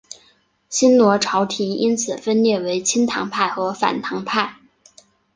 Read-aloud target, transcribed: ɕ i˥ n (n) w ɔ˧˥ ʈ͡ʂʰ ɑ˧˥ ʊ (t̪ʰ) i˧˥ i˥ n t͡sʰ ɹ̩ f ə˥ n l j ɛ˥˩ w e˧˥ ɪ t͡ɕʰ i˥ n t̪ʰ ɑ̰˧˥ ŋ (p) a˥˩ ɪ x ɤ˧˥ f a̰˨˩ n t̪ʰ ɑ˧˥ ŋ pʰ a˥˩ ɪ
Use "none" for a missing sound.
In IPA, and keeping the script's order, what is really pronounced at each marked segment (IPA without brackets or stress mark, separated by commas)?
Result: n, t̪ʰ, pʰ